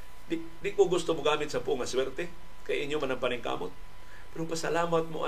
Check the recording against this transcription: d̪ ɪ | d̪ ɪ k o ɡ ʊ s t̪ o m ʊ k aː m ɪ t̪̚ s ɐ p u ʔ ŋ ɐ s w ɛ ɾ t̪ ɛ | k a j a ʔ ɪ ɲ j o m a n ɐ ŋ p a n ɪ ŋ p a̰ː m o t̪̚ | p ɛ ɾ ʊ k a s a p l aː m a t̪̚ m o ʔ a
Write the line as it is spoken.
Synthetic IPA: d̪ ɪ | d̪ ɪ k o ɡ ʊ s t̪ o m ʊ ɡ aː m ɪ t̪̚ s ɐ p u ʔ ŋ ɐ s w ɛ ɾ t̪ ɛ | k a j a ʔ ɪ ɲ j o m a n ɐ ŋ p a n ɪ ŋ k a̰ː m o t̪̚ | p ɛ ɾ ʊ p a s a l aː m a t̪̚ m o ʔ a